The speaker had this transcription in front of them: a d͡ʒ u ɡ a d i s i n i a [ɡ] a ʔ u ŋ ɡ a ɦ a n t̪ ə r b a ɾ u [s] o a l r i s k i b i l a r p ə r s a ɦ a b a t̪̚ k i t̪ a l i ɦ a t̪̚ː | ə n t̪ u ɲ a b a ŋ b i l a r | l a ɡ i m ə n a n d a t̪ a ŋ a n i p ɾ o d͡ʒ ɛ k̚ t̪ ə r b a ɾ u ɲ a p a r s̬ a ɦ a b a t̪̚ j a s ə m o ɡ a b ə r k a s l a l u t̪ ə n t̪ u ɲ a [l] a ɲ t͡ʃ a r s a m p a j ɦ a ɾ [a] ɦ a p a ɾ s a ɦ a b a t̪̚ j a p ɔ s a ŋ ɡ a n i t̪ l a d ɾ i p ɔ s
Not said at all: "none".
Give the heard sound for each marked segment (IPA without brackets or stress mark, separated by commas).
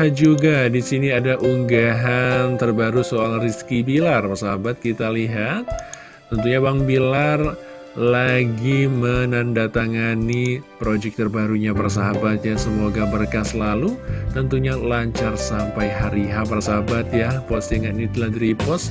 d, s, l, i